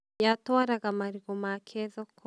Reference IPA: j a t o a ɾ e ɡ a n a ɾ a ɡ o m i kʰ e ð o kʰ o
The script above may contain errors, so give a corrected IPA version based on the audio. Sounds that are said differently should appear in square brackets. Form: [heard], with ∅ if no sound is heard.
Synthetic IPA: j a t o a ɾ [a] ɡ a [m] a ɾ [i] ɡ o m [a] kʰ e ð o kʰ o